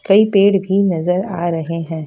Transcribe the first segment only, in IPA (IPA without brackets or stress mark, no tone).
k